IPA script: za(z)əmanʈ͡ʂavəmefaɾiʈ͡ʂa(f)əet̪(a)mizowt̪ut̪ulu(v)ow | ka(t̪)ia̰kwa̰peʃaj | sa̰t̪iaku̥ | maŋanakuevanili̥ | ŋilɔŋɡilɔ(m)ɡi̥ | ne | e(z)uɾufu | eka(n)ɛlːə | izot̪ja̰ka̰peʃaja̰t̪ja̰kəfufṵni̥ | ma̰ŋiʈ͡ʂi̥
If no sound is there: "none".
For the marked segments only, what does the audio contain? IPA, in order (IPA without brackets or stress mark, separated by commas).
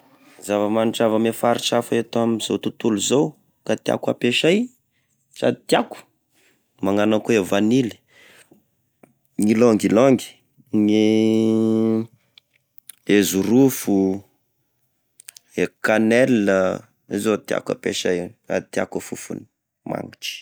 v, f, a, z, t̪, ŋ, z, n